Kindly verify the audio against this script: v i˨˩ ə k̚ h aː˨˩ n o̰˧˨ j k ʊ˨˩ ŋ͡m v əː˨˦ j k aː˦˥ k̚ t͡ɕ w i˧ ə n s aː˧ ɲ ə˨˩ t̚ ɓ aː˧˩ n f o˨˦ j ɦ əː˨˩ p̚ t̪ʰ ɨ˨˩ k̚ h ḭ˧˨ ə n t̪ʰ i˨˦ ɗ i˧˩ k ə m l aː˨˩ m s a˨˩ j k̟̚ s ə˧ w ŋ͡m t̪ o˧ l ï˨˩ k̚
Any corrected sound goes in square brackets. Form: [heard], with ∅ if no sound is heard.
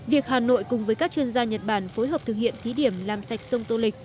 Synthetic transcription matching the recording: v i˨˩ ə k̚ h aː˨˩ n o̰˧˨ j k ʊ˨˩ ŋ͡m v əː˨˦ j k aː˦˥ k̚ t͡ɕ w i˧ ə n [z] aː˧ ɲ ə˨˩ t̚ ɓ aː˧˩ n f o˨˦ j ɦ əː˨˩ p̚ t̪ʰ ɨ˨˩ k̚ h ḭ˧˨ ə n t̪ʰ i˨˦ ɗ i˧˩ [∅] ə m l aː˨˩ m s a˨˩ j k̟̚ s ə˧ w ŋ͡m t̪ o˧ l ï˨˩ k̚